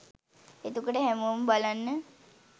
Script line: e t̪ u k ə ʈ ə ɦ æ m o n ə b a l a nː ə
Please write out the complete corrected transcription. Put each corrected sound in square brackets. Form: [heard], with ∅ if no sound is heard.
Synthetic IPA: e t̪ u k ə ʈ ə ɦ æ m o [m] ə b a l a nː ə